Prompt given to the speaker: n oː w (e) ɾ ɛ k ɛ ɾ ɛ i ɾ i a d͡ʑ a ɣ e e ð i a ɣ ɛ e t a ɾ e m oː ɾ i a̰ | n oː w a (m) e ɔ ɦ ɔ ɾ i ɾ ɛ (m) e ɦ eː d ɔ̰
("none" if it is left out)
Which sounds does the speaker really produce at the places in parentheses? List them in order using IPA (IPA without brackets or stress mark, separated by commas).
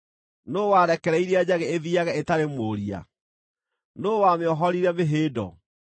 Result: a, m, m